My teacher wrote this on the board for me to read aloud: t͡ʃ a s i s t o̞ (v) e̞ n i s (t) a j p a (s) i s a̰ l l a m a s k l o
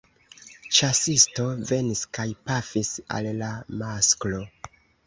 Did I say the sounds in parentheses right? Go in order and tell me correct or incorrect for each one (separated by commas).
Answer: correct, incorrect, incorrect